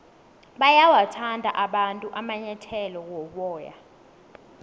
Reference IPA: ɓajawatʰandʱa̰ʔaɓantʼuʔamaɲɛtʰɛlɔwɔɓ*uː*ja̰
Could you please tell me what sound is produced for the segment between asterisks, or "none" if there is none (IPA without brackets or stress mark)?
ɔː